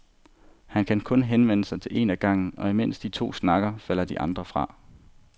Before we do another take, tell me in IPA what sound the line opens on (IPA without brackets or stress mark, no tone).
h